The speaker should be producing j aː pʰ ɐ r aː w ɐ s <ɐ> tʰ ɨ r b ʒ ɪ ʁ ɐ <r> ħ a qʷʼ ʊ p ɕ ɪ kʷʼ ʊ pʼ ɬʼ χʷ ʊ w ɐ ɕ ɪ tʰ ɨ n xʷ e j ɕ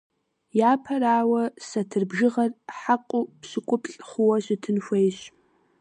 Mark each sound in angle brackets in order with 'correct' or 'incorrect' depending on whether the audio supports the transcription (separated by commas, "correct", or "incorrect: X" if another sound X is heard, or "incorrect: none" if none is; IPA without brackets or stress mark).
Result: correct, correct